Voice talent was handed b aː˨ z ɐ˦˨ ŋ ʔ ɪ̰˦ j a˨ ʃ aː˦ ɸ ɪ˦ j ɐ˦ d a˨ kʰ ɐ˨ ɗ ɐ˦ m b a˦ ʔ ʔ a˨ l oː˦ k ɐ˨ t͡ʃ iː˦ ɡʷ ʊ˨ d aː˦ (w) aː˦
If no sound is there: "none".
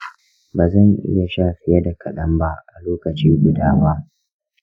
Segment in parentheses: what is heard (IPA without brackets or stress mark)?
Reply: w